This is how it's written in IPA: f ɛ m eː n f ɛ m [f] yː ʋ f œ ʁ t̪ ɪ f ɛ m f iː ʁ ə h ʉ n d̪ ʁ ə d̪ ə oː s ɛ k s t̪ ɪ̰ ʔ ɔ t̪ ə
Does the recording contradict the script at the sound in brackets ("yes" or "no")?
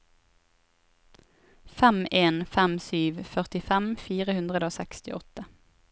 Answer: yes